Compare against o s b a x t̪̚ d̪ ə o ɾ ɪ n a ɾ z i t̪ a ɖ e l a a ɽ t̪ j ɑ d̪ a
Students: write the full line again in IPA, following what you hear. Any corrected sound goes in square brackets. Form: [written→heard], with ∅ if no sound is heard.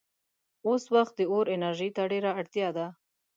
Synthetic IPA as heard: o s [b→w] a x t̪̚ d̪ ə o ɾ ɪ n a ɾ [z→ʒ] i t̪ a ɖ e [l→ɾ] a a ɽ t̪ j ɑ d̪ a

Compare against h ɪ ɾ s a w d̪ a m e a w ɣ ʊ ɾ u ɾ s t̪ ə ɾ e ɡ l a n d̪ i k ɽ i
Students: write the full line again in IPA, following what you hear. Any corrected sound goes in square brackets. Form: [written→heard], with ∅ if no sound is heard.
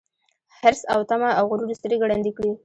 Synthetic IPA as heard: h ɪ ɾ s a w [d̪→t̪] a m [e→a] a w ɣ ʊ ɾ u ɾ s t̪ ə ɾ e ɡ [l→ɽ] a n d̪ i k ɽ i

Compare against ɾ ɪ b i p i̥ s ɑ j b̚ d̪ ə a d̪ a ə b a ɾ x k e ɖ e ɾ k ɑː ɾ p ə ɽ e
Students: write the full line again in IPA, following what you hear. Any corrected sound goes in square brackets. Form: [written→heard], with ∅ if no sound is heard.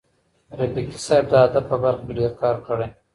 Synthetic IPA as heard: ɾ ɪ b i [p→k] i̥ s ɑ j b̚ d̪ ə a d̪ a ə b a ɾ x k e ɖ e ɾ k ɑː ɾ [p→k] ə ɽ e

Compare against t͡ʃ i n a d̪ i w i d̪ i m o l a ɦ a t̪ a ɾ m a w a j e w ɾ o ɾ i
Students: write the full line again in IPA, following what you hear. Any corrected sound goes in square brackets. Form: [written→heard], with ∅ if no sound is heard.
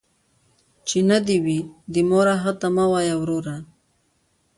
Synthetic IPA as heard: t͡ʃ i n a d̪ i w i d̪ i m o [l→ɾ] a ɦ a t̪ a [ɾ→∅] m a w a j [e→a] w ɾ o ɾ [i→a]

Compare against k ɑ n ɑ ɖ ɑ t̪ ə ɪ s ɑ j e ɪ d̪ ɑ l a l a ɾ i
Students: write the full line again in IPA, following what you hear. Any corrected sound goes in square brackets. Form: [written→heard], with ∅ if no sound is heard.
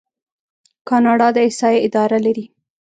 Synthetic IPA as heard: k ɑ n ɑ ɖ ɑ [t̪→d̪] ə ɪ s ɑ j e ɪ d̪ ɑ [l→ɾ] a l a ɾ i

